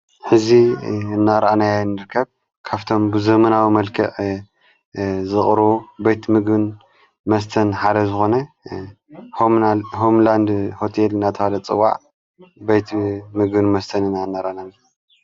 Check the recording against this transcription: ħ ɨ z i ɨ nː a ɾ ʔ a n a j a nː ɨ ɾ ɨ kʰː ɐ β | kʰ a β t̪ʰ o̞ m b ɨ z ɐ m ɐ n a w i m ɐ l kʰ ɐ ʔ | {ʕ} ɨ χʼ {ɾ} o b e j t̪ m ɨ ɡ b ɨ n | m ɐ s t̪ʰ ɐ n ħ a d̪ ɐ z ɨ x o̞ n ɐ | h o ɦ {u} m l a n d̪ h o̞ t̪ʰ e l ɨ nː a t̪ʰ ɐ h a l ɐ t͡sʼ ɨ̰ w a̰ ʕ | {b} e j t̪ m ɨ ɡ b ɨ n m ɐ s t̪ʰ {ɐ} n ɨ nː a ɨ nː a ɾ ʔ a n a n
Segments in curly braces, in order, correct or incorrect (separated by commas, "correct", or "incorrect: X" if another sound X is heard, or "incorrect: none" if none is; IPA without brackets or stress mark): incorrect: z, correct, incorrect: o, correct, correct